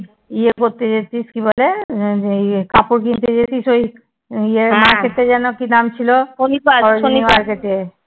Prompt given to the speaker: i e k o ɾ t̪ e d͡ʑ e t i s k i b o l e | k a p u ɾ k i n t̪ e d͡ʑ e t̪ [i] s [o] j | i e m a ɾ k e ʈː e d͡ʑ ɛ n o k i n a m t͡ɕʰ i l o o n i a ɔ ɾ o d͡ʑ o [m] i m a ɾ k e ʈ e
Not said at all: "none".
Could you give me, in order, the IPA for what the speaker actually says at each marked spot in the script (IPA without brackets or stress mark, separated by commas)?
i, o, n